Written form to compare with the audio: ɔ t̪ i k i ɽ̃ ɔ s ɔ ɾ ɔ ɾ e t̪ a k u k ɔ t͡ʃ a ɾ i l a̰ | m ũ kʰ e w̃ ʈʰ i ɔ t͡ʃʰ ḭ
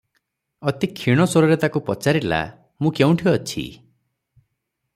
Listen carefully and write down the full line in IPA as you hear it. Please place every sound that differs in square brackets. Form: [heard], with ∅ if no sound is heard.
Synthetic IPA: ɔ t̪ i [kʰ] i ɽ̃ ɔ s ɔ ɾ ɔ ɾ e t̪ a k u [p] ɔ t͡ʃ a ɾ i l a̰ | m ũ [k] e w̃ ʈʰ i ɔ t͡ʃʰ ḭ

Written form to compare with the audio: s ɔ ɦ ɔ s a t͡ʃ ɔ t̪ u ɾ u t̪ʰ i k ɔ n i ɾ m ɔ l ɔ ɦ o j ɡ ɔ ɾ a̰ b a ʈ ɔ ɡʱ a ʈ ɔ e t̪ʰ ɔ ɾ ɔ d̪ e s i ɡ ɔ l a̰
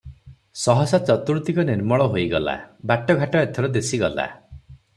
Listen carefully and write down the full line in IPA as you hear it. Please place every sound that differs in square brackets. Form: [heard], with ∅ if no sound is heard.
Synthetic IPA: s ɔ ɦ ɔ s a t͡ʃ ɔ t̪ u ɾ u [t̪] i k ɔ n i ɾ m ɔ [ɭ] ɔ ɦ o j ɡ ɔ [l] a̰ b a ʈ ɔ ɡʱ a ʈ ɔ e t̪ʰ ɔ ɾ ɔ d̪ e s i ɡ ɔ l a̰

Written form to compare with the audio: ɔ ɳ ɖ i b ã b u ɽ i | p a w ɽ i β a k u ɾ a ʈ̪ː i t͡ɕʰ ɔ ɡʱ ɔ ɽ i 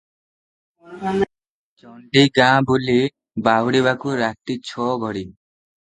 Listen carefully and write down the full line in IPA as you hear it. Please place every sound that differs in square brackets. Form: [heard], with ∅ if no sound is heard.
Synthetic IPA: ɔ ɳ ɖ i [ɡ] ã b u [l] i | [b] a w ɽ i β a k u ɾ a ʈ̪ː i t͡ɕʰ ɔ ɡʱ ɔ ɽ i

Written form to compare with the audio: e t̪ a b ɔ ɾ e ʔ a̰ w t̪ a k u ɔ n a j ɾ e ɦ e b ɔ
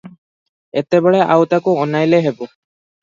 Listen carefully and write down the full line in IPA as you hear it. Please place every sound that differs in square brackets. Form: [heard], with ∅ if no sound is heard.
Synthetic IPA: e t̪ [e] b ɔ [ɭ] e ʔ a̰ w t̪ a k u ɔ n a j [l] e ɦ e b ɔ

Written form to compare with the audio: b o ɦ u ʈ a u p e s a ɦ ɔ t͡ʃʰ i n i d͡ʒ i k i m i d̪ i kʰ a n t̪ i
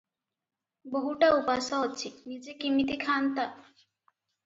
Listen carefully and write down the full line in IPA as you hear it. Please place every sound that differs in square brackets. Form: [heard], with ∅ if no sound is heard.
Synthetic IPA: b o ɦ u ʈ a u p [a] s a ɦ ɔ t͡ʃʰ i n i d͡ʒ [e] k i m i [t̪] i kʰ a n t̪ [a]

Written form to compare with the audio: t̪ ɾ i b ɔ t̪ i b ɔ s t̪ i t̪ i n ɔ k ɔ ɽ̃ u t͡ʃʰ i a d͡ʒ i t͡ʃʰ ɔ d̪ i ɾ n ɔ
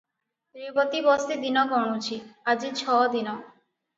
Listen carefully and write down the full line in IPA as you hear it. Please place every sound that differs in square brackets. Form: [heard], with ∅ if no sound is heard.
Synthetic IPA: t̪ ɾ i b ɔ t̪ i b ɔ s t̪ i [d̪] i n ɔ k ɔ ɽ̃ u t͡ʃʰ i a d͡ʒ i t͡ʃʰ ɔ d̪ i [∅] n ɔ

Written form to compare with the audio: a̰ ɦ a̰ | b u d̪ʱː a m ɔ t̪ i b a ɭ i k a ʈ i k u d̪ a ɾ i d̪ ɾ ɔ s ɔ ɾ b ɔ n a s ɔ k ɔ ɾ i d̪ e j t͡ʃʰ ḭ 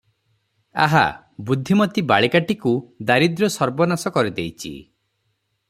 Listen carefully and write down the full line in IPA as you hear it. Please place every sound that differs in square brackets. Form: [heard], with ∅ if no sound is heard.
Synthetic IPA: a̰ ɦ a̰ | b u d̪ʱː [i] m ɔ t̪ i b a ɭ i k a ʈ i k u d̪ a ɾ i d̪ ɾ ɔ s ɔ ɾ b ɔ n a s ɔ k ɔ ɾ i d̪ e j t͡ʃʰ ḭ

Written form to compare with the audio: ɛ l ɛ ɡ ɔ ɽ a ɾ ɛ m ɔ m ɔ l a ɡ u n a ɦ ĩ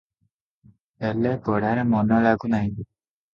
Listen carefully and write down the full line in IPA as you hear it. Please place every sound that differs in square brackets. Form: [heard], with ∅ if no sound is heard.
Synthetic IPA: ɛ l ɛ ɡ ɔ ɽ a ɾ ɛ m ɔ [n] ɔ l a ɡ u n a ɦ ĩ

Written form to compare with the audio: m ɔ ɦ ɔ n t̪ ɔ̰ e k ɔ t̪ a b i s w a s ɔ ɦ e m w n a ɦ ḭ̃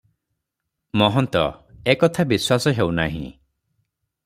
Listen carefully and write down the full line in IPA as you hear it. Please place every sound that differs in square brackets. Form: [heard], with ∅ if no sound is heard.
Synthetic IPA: m ɔ ɦ ɔ n t̪ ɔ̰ e k ɔ [t̪ʰ] a b i s w a s ɔ ɦ e [∅] w n a ɦ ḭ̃

